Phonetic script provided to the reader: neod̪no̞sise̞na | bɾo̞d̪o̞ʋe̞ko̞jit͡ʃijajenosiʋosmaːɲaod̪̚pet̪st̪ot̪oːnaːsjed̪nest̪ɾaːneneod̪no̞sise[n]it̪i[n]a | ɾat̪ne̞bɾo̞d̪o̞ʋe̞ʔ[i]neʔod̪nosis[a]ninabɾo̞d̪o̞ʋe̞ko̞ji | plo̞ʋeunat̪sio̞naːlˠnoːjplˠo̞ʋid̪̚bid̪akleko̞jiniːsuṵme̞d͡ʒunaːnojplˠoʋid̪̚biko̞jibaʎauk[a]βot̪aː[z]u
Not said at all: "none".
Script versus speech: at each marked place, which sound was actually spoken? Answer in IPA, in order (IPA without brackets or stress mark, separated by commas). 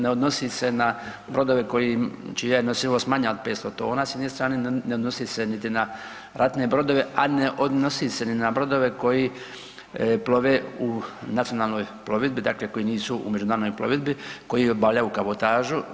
n, n, a, e, a, ʒ